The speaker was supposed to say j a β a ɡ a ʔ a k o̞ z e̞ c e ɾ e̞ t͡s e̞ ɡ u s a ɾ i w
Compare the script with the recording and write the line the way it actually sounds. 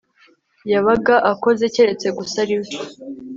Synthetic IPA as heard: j a β a ɡ a ʔ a k o̞ z e̞ c e ɾ e̞ t͡s e̞ ɡ u s a ɾ i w

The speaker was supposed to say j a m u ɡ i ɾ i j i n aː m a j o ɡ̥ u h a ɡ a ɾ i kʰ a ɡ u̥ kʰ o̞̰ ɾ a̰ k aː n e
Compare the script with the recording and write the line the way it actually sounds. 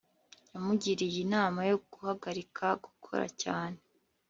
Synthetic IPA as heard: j a m u ɟ i ɾ i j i n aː m a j o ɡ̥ u h a ɡ a ɾ i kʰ a ɡ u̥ kʰ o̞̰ ɾ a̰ c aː n e

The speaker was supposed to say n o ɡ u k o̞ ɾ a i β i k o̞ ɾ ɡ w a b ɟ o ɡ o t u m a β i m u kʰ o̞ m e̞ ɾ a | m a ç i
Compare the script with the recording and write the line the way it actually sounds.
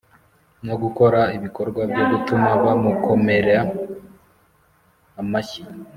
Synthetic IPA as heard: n o ɡ u k o̞ ɾ a i β i k o̞ ɾ ɡ w a b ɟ o ɡ u t u m a β a m u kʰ o̞ m e̞ ɾ a | m a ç i

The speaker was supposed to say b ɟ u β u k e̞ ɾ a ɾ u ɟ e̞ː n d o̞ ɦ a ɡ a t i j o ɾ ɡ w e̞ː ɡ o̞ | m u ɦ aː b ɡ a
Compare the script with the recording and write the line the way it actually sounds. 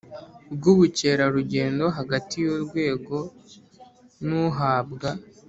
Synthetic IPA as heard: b ɡ u β u c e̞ ɾ a ɾ u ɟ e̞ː n d o̞ ɦ a ɡ a t i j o ɾ ɡ w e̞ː ɡ o̞ | n u ɦ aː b ɡ a

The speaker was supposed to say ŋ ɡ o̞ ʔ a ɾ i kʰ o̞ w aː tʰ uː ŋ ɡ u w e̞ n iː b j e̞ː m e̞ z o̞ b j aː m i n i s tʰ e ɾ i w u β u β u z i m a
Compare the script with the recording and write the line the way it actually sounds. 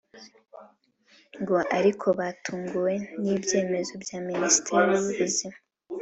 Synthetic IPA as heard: ŋ ɡ o̞ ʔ a ɾ i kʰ o̞ β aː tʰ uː ŋ ɡ u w e̞ n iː b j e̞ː m e̞ z o̞ b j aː m i n i s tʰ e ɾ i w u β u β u z i m a

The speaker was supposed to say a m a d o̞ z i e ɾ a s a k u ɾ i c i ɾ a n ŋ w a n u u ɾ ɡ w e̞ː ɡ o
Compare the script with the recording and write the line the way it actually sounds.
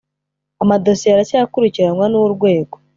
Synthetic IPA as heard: a m a d o̞ s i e ɾ a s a k u ɾ i c i ɾ a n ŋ w a n u u ɾ ɡ w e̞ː ɡ o

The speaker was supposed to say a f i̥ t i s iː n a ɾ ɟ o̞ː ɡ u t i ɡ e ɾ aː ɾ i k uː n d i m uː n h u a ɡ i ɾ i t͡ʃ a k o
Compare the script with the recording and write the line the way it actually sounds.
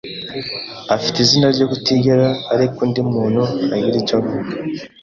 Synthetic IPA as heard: a f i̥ t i z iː n a ɾ ɟ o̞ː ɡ u t i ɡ e ɾ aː ɾ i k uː n d i m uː n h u a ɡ i ɾ i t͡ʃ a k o

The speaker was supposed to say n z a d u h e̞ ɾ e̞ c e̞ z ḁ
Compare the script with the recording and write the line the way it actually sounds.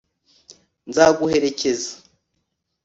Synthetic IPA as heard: n z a ɡ u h e̞ ɾ e̞ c e̞ z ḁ

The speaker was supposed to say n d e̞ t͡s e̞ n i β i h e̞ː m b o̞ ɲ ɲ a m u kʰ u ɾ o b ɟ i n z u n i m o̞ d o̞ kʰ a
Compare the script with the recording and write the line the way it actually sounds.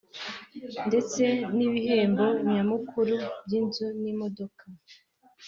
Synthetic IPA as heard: n d e̞ t͡s e̞ n i β i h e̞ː m b o̞ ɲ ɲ a m u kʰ u ɾ u b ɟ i n z u n i m o̞ d o̞ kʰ a

